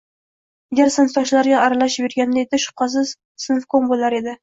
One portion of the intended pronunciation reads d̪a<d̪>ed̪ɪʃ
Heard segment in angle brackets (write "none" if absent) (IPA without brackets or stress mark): none